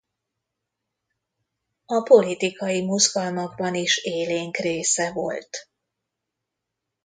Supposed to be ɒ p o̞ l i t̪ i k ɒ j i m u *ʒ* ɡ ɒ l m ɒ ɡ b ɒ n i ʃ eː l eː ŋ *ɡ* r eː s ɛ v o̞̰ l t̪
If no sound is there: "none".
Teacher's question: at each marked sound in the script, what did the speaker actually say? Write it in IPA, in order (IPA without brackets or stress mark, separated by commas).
z, k